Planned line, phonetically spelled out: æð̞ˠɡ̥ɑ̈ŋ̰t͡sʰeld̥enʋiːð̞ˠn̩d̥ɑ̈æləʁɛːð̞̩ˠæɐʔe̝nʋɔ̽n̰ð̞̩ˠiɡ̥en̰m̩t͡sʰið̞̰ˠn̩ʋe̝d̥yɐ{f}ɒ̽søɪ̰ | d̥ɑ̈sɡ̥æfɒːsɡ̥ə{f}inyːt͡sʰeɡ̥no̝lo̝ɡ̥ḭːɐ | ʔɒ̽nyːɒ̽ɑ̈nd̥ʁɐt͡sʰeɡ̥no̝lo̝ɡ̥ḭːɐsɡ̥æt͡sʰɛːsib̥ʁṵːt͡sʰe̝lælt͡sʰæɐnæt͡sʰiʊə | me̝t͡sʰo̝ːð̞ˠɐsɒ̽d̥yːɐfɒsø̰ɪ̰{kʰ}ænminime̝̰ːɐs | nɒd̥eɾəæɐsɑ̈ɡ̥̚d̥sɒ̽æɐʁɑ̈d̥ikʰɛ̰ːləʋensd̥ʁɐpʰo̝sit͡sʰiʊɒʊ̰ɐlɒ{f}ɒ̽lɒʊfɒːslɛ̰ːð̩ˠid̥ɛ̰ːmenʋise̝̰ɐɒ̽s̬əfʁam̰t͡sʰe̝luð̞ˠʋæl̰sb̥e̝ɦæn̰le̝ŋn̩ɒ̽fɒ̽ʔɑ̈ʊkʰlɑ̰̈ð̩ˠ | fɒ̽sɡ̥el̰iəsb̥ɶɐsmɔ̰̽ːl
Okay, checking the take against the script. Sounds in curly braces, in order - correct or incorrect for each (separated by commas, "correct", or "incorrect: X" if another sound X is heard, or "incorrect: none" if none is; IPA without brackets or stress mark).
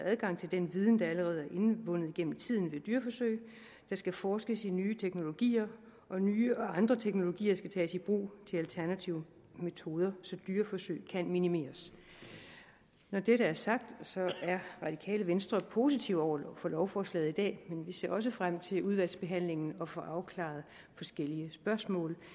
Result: correct, incorrect: s, correct, correct